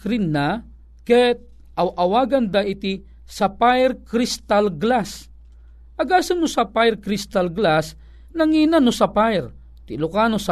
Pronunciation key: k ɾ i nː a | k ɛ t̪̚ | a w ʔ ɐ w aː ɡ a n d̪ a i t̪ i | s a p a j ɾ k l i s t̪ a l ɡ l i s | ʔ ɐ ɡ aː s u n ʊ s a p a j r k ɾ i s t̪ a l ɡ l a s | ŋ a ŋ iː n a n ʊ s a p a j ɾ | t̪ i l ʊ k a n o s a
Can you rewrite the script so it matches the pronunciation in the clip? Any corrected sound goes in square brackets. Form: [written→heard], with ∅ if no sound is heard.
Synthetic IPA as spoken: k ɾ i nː a | k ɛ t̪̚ | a w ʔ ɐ w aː ɡ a n d̪ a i t̪ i | s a p a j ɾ k [l→ɾ] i s t̪ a l ɡ l [i→a] s | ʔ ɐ ɡ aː s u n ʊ s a p a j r k ɾ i s t̪ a l ɡ l a s | [ŋ→n] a ŋ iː n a n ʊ s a p a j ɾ | t̪ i l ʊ k a n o s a